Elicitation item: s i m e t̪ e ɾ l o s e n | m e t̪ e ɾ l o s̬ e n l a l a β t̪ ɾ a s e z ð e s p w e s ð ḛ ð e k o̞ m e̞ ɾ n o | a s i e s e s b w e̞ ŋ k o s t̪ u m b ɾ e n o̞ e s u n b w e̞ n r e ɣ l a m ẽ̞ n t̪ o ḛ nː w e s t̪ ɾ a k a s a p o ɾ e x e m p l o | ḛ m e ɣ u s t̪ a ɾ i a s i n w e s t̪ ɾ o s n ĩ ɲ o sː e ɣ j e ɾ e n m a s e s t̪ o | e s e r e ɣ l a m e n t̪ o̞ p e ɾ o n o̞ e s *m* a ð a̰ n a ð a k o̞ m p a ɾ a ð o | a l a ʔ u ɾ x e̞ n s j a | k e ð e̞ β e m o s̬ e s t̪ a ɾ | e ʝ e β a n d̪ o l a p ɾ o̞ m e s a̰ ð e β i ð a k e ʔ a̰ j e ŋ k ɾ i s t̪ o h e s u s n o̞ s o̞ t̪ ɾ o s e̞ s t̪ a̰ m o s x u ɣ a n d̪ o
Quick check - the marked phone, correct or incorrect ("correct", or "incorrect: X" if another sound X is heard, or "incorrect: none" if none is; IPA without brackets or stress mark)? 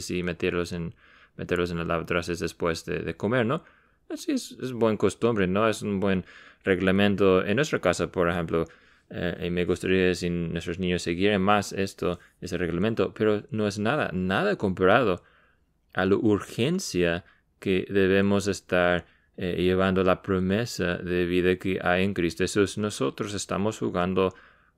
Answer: incorrect: n